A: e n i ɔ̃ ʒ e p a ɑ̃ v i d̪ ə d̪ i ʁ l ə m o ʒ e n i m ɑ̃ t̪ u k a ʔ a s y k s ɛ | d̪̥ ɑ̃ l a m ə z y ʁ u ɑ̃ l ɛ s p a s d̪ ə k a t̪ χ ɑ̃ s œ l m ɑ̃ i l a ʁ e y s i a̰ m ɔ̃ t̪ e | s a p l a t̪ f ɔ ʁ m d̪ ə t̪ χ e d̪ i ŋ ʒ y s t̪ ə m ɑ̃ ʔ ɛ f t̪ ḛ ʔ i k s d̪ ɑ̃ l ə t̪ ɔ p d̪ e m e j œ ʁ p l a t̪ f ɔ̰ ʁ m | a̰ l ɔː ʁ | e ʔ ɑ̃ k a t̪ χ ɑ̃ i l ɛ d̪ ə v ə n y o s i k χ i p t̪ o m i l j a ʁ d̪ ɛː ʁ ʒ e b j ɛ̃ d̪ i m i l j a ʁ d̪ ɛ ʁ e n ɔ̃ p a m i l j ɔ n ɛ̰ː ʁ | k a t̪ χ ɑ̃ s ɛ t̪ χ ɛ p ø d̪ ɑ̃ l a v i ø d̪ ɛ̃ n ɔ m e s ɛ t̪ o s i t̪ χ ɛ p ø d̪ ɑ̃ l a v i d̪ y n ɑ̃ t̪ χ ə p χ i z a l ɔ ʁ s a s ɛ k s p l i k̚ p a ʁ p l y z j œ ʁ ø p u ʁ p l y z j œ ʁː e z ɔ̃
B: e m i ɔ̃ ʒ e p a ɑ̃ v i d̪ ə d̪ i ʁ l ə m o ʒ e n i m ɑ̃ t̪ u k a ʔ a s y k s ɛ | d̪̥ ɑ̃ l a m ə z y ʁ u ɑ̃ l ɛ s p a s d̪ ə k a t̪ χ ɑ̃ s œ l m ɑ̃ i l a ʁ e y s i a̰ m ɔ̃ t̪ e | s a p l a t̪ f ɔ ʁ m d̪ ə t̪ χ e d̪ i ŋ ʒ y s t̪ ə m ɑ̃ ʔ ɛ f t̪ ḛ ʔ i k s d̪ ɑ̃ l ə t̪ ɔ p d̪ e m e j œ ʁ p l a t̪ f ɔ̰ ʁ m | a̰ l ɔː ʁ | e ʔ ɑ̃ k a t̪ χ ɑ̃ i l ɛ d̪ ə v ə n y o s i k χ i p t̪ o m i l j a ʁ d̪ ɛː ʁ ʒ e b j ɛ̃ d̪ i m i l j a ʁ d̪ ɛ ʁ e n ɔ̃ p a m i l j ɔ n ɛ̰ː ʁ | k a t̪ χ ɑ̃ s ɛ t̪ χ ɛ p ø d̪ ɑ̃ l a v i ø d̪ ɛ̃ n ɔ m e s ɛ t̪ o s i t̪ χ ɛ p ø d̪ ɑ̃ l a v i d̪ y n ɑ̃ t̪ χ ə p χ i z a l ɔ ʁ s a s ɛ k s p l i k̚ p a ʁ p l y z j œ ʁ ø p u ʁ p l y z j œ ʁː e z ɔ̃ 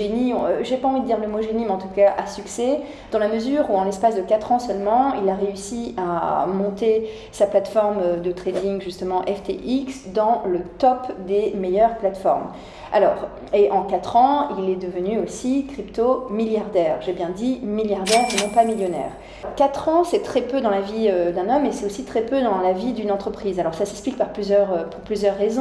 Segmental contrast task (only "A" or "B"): A